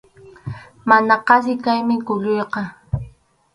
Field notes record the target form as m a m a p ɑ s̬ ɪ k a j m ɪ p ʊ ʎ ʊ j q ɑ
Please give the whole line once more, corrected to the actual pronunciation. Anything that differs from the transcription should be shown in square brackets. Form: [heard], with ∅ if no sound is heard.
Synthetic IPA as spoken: m a [n] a [q] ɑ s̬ ɪ k a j m ɪ [k] ʊ ʎ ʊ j q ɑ